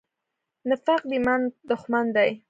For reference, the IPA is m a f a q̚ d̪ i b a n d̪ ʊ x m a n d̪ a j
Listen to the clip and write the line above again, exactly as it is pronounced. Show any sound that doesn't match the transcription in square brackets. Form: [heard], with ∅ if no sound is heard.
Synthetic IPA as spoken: [n] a f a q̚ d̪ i [m] a n d̪ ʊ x m a n d̪ a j